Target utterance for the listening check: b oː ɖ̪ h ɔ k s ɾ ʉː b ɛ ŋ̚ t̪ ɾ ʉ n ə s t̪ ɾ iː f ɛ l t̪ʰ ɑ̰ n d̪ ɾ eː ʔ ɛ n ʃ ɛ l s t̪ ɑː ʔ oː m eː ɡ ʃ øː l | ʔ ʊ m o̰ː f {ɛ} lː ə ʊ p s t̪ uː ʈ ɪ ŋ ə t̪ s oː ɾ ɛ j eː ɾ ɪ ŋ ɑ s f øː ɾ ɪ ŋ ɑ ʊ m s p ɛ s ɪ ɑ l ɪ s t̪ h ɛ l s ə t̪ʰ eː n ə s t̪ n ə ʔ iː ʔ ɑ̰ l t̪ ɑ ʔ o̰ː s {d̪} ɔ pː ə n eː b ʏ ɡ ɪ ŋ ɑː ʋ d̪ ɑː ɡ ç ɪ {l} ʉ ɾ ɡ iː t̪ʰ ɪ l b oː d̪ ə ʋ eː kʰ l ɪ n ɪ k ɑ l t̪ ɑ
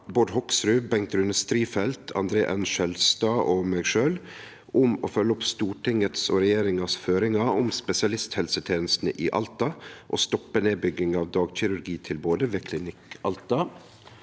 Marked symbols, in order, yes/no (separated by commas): no, no, no